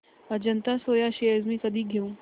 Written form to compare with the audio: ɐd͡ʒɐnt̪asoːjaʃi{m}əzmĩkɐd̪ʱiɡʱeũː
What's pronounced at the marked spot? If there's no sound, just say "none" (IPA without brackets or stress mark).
none